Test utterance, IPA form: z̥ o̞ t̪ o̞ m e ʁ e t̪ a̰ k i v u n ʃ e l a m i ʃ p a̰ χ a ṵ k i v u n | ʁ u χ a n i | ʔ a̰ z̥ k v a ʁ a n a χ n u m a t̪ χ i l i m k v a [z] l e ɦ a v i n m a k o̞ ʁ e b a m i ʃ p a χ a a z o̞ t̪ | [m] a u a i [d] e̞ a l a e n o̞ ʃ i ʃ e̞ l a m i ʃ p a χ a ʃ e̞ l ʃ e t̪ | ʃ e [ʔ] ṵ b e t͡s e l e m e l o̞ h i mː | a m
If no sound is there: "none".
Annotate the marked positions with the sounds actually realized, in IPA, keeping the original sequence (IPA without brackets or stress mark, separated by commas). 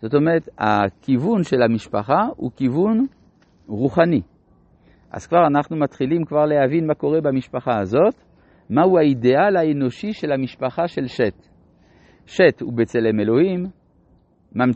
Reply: ʁ, m, d, t